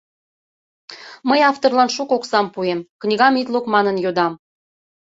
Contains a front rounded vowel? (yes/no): no